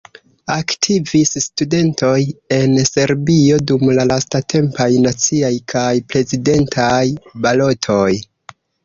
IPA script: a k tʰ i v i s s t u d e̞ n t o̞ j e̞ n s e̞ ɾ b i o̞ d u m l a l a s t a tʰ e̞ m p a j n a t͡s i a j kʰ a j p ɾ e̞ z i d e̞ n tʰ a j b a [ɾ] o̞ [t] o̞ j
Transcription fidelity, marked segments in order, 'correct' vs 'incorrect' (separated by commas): incorrect, incorrect